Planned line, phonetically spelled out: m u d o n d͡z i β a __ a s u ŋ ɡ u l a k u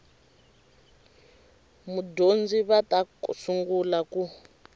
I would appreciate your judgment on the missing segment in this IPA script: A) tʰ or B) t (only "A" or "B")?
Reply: B